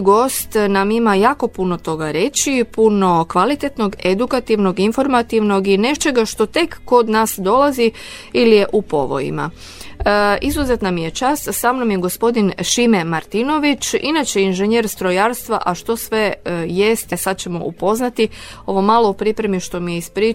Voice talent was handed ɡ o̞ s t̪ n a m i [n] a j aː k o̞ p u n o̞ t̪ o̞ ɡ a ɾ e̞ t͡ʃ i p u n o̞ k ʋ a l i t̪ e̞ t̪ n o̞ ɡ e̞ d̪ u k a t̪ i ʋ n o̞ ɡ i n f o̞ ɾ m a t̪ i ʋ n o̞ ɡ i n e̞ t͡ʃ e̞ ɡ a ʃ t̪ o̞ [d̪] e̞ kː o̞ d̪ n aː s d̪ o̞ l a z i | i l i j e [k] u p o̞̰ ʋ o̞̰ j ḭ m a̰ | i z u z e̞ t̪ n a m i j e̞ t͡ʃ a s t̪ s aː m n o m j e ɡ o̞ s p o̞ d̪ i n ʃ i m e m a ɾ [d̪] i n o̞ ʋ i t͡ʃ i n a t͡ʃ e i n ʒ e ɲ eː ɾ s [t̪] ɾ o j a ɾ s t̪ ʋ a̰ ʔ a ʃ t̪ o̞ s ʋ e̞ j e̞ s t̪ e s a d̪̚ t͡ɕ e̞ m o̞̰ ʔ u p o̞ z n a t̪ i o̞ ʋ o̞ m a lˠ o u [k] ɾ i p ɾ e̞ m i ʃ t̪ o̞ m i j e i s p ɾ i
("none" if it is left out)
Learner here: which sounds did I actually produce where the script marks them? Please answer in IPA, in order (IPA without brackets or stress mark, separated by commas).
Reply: m, t̪, ʔ, t̪, t̪, p